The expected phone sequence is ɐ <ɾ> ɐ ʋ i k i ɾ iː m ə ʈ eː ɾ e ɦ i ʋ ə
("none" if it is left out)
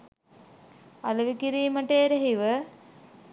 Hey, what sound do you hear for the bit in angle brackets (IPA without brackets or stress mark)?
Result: l